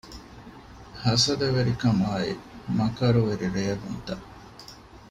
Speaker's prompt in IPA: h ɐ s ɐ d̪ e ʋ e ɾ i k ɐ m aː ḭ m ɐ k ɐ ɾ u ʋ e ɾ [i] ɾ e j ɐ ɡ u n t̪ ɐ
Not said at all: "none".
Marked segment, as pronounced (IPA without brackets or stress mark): i